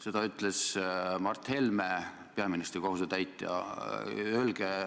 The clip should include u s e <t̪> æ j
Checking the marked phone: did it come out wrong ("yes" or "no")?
no